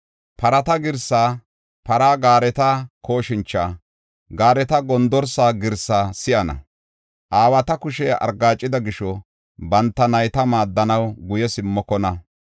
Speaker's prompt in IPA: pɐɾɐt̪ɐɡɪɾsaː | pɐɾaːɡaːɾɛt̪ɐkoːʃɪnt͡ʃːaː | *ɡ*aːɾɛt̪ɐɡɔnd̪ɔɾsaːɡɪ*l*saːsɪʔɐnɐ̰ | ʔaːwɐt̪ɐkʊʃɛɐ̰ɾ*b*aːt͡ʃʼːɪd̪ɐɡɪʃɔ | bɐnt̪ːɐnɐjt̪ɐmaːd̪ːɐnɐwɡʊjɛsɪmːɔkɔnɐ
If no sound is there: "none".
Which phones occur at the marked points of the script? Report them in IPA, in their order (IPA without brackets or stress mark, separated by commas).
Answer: ɡ, ɾ, ɡ